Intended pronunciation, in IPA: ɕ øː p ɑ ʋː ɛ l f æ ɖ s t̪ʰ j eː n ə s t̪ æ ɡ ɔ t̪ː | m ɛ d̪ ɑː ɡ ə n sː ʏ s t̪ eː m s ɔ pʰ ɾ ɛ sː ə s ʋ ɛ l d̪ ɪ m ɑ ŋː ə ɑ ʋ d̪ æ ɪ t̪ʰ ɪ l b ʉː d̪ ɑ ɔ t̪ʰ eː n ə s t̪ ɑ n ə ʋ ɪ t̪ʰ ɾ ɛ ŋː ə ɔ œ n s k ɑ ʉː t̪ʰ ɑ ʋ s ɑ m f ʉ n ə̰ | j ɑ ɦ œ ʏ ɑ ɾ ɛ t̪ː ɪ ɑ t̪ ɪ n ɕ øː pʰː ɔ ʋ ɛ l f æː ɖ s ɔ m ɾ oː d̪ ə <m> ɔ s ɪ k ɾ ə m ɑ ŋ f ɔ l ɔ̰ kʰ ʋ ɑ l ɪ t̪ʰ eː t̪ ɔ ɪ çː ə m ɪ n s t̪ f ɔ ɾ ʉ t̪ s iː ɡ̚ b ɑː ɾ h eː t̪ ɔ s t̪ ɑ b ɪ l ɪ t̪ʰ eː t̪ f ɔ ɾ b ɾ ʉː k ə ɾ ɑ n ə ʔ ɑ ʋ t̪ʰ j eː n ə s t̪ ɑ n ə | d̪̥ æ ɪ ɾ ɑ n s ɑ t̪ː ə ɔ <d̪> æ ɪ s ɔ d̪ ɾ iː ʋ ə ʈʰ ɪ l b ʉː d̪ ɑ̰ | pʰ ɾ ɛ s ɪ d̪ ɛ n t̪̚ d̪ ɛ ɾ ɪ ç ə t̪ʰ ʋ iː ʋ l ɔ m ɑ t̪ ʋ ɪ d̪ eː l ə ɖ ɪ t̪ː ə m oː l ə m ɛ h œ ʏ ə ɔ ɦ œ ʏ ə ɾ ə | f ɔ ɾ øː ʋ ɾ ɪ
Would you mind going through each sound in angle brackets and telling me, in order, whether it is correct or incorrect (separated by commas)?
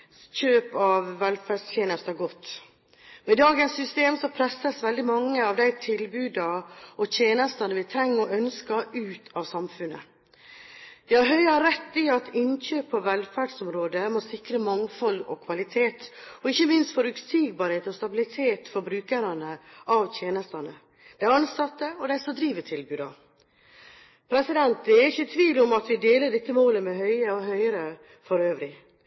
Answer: correct, correct